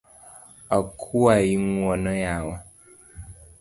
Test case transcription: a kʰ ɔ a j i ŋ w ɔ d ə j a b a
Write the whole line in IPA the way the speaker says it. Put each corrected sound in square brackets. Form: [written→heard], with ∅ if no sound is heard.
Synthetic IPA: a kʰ [ɔ→u] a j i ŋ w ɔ [d→n] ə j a [b→w] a